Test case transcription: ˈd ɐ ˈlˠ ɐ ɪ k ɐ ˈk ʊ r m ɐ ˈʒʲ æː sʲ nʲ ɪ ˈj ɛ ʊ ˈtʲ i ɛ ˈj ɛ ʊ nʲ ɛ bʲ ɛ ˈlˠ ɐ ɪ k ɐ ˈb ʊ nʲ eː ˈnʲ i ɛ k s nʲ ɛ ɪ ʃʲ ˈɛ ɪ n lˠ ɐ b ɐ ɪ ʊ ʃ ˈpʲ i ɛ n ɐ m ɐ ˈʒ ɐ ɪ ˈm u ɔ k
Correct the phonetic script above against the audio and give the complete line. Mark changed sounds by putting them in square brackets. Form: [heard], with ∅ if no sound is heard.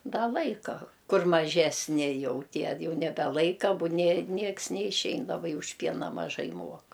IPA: ˈd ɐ ˈlˠ ɐ ɪ k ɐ ˈk ʊ r m ɐ ˈʒʲ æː sʲ nʲ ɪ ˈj ɛ ʊ ˈtʲ i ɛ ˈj ɛ ʊ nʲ ɛ bʲ ɛ ˈlˠ ɐ ɪ k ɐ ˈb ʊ nʲ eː ˈnʲ i ɛ k s nʲ ɛ ɪ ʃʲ ˈɛ ɪ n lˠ ɐ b ɐ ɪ ʊ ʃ ˈpʲ i ɛ n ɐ m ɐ ˈʒ ɐ ɪ ˈm u ɔ k

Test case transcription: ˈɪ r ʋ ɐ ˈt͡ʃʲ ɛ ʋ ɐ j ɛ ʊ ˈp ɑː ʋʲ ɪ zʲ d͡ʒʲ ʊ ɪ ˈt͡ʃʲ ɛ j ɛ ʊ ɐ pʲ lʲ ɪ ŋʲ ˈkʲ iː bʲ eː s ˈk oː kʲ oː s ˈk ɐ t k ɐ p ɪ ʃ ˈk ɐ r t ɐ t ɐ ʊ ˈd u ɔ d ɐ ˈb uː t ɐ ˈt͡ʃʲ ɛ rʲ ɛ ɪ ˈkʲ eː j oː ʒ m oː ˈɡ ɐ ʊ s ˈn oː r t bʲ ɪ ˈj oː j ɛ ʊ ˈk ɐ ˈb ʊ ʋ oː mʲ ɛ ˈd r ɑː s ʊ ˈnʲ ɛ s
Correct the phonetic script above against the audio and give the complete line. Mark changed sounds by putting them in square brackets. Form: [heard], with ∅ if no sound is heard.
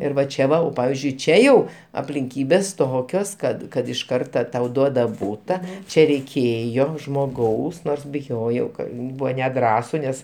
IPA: ˈɪ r ʋ ɐ ˈt͡ʃʲ ɛ ʋ ɐ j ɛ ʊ ˈp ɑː ʋʲ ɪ zʲ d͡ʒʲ ʊ ɪ ˈt͡ʃʲ ɛ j ɛ ʊ ɐ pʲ lʲ ɪ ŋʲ ˈkʲ iː bʲ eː s [ˈt] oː kʲ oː s ˈk ɐ t k ɐ [t] ɪ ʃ ˈk ɐ r t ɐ t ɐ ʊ ˈd u ɔ d ɐ ˈb uː t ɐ ˈt͡ʃʲ ɛ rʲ ɛ ɪ ˈkʲ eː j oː ʒ m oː ˈɡ ɐ ʊ s ˈn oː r [s] bʲ ɪ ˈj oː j ɛ ʊ ˈk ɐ ˈb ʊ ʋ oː [nʲ] ɛ ˈd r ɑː s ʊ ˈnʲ ɛ s

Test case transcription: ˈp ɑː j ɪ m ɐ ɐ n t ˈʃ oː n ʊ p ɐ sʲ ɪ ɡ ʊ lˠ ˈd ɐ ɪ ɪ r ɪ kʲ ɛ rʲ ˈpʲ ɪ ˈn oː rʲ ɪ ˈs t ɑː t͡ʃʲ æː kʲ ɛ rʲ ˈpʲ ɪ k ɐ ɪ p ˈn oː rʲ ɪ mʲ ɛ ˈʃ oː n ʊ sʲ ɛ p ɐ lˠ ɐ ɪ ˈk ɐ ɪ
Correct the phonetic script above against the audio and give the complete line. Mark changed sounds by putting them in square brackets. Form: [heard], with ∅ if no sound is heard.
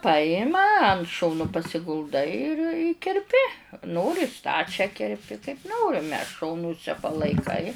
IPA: ˈp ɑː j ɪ m ɐ ɐ n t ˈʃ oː n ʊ p ɐ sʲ ɪ ɡ ʊ lˠ ˈd ɐ ɪ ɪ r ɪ kʲ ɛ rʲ ˈpʲ ɪ ˈn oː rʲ ɪ ˈs t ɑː t͡ʃʲ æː kʲ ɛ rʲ ˈpʲ ɪ k ɐ ɪ p ˈn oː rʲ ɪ mʲ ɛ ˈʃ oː n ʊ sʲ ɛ p ɐ lˠ ɐ ɪ ˈk ɐ ɪ

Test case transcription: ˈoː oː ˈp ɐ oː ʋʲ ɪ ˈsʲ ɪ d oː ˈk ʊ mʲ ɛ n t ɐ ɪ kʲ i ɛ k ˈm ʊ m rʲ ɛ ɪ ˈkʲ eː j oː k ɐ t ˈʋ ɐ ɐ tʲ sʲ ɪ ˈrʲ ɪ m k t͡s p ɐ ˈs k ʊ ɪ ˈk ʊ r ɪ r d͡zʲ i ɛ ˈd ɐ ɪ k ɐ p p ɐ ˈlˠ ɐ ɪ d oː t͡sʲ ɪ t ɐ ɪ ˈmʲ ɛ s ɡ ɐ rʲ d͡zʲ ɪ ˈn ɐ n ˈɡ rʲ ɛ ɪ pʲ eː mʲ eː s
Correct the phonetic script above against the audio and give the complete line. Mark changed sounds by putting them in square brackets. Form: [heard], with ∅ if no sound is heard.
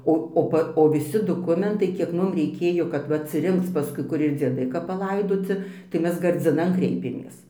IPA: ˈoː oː ˈp ɐ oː ʋʲ ɪ ˈsʲ ɪ d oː ˈk ʊ mʲ ɛ n t ɐ ɪ kʲ i ɛ k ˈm ʊ m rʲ ɛ ɪ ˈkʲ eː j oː k ɐ t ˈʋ ɐ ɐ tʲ sʲ ɪ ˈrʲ ɪ [ŋ] k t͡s p ɐ ˈs k ʊ ɪ ˈk ʊ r ɪ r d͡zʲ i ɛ ˈd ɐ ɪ k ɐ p p ɐ ˈlˠ ɐ ɪ d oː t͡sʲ ɪ t ɐ ɪ ˈmʲ ɛ s ɡ ɐ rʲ d͡zʲ ɪ ˈn ɐ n [ˈk] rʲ ɛ ɪ pʲ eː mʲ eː s

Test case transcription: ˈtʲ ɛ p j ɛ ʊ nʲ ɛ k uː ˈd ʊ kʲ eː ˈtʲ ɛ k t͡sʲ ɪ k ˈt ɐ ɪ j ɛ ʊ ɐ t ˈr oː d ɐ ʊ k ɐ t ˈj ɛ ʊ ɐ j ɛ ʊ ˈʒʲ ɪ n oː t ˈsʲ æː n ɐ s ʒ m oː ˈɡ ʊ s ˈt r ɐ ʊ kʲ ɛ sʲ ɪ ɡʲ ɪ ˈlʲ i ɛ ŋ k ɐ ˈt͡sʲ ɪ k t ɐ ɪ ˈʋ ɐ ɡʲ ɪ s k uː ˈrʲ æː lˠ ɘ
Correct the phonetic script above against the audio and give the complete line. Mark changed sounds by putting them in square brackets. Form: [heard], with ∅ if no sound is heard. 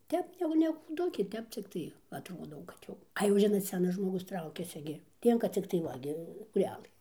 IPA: ˈtʲ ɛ p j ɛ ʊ nʲ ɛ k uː ˈd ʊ kʲ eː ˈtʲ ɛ [p] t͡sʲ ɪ k ˈt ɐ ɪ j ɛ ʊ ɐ t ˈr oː d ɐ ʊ k ɐ t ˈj ɛ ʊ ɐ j ɛ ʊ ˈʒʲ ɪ n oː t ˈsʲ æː n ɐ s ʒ m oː ˈɡ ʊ s ˈt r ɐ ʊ kʲ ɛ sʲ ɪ ɡʲ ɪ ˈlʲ i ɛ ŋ k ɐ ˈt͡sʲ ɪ k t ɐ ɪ ˈʋ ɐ ɡʲ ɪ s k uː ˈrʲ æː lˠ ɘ

